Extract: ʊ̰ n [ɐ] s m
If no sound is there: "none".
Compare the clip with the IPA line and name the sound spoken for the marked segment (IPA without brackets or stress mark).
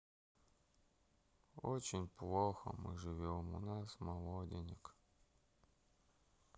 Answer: a